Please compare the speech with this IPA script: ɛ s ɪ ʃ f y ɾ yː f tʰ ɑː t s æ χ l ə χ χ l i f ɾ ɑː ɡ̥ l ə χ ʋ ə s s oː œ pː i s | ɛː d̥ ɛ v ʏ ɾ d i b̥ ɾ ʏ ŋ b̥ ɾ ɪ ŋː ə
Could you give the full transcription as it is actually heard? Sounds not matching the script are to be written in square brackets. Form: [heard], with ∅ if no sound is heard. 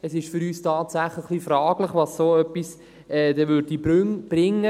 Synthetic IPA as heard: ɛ s ɪ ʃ f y ɾ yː [s] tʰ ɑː t s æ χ l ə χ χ l i f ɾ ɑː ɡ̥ l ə χ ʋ [ɑ] s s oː œ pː i s | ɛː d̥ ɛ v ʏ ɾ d i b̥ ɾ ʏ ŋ b̥ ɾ ɪ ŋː ə